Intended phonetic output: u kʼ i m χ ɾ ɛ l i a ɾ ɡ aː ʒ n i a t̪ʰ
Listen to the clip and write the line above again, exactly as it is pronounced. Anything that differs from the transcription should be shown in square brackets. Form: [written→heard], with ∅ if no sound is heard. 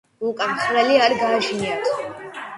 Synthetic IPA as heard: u kʼ [i→a] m χ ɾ ɛ l i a ɾ ɡ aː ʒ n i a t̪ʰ